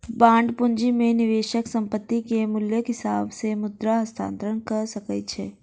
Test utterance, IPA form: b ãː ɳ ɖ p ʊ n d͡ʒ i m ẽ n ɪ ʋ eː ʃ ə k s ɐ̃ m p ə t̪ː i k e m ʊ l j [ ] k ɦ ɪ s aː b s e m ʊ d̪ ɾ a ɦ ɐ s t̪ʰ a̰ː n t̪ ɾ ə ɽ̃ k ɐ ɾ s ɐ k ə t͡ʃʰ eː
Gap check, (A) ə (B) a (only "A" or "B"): A